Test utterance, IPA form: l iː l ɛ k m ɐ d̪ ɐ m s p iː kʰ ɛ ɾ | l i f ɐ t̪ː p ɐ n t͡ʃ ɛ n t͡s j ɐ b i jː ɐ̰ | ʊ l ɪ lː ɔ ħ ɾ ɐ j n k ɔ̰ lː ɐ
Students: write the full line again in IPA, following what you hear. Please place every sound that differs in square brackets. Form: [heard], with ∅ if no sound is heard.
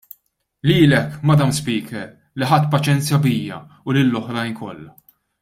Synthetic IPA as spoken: l iː l ɛ k m ɐ d̪ ɐ m s p iː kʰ ɛ ɾ | l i [ħ] ɐ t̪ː p ɐ [∅] t͡ʃ ɛ n t͡s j ɐ b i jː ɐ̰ | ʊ l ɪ lː ɔ ħ ɾ ɐ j n k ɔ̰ lː ɐ